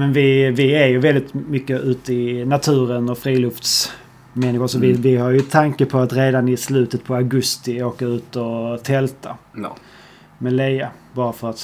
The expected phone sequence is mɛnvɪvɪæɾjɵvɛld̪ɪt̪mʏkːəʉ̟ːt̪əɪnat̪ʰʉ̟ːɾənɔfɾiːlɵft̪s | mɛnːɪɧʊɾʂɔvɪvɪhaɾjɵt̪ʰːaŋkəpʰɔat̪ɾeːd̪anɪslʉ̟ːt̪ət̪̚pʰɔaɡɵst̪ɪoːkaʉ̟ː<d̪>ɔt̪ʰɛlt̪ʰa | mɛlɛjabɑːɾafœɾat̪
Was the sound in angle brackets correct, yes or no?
no